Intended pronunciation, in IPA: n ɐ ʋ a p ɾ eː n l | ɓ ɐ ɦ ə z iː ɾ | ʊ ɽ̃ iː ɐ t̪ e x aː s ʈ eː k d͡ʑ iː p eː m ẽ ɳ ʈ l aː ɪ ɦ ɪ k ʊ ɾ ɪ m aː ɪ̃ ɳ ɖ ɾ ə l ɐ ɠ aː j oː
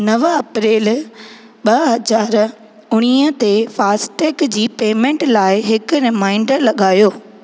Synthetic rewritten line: n ɐ ʋ ɐ p ɾ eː l | ɓ ɐ ɦ ɐ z aː ɾ | ʊ ɽ̃ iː ə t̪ e f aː s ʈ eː k d͡ʑ iː p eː m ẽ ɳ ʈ l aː ɪ ɦ ɪ k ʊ ɾ ɪ m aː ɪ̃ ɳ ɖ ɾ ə l ɐ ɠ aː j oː

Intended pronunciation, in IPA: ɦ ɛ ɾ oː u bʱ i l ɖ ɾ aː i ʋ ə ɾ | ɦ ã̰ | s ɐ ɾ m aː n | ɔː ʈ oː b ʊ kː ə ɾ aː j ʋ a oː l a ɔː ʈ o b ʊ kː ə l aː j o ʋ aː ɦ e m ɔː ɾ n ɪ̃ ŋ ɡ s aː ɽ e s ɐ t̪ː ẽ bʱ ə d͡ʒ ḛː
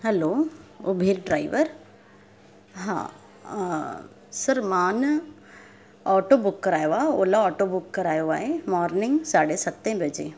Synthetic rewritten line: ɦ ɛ l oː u bʱ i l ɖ ɾ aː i ʋ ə ɾ | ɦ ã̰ | s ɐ ɾ m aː n | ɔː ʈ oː b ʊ kː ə ɾ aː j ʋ a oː l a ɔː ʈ o b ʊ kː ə ɾ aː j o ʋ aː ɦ e m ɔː ɾ n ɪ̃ ŋ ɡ s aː ɽ e s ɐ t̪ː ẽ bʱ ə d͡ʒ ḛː

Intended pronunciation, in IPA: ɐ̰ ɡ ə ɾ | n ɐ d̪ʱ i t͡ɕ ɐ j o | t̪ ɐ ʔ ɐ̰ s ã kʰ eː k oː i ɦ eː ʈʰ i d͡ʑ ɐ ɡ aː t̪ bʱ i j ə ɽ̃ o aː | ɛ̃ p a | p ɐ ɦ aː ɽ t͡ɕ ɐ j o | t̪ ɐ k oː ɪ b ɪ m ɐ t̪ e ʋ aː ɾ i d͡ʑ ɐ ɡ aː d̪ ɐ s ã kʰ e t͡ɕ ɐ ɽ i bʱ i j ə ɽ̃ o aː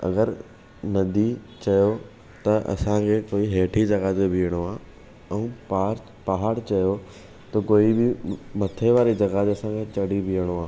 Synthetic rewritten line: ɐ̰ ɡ ə ɾ | n ɐ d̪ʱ i t͡ɕ ɐ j o | t̪ ɐ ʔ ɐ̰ s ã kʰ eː k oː i ɦ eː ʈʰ i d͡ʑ ɐ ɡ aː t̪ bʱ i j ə ɽ̃ o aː | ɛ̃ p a | p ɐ ɦ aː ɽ t͡ɕ ɐ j o | t̪ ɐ k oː i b ɪ m ɐ t̪ʰ e ʋ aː ɾ i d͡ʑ ɐ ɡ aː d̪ ɐ s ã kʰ e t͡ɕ ɐ ɽ i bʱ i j ə ɽ̃ o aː

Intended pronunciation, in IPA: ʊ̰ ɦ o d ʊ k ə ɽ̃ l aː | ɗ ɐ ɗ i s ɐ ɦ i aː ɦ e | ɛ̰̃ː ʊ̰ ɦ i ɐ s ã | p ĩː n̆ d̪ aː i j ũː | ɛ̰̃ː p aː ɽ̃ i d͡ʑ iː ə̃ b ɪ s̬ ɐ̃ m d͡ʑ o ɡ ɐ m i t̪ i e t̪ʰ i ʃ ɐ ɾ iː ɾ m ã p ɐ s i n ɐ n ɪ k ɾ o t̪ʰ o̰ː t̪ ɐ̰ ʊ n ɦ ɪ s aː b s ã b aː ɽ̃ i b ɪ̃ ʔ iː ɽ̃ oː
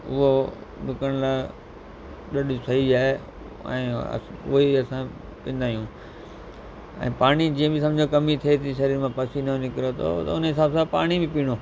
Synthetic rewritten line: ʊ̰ ɦ o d ʊ k ə ɽ̃ l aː | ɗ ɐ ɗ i s ɐ ɦ i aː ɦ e | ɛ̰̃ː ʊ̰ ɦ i ɐ s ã | p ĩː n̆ d̪ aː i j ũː | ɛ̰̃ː p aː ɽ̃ i d͡ʑ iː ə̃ b ɪ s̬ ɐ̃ m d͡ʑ o k ɐ m i t̪ʰ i e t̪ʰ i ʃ ɐ ɾ iː ɾ m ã p ɐ s i n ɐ n ɪ k ɾ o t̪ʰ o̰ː t̪ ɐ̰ ʊ n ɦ ɪ s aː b s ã p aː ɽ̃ i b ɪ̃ p iː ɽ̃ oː

